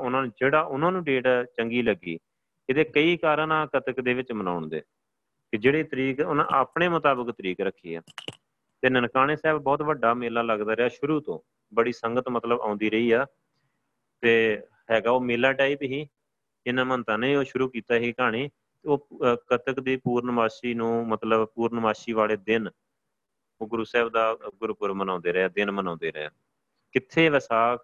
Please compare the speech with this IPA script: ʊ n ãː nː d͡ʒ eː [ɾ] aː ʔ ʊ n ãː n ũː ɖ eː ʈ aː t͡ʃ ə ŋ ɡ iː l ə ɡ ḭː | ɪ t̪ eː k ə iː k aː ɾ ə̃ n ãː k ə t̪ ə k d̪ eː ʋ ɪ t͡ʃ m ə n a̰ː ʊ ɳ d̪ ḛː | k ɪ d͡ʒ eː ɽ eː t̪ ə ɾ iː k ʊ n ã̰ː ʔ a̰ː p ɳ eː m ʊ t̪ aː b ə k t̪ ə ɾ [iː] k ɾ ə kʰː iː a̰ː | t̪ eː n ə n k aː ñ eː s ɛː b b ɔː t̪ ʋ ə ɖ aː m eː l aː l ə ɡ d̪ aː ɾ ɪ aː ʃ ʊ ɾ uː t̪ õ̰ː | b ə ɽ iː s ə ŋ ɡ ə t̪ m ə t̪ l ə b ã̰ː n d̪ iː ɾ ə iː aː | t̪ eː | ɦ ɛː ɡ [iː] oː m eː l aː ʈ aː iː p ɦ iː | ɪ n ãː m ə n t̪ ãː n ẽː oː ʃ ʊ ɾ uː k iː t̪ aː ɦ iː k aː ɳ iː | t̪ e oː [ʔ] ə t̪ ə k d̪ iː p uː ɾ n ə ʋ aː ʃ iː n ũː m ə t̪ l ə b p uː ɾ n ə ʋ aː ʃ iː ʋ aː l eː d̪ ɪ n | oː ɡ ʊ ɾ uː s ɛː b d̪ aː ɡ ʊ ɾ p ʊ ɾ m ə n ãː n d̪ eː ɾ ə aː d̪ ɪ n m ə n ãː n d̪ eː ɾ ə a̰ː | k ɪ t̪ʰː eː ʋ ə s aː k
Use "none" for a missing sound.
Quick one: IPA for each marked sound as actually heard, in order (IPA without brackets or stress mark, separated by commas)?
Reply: ɽ, iː, aː, k